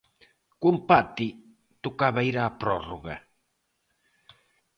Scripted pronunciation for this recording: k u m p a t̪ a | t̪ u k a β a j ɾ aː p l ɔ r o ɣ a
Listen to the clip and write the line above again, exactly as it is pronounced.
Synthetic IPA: k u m p a t̪ i | t̪ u k a β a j ɾ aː p ɾ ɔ r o ɣ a